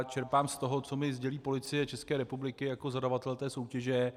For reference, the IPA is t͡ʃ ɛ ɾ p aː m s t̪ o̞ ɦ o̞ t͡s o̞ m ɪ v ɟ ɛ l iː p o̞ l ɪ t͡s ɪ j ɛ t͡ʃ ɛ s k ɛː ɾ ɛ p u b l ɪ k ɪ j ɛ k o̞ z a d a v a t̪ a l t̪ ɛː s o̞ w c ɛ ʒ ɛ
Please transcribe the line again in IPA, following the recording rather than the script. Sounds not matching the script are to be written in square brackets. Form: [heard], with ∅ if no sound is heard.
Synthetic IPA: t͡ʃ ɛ ɾ p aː m s t̪ o̞ ɦ o̞ t͡s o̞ m ɪ [z] ɟ ɛ l iː p o̞ l ɪ t͡s ɪ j ɛ t͡ʃ ɛ s k ɛː ɾ ɛ p u b l ɪ k ɪ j [a] k o̞ z a d a v a t̪ [ɛ] l t̪ ɛː s o̞ w c ɛ ʒ ɛ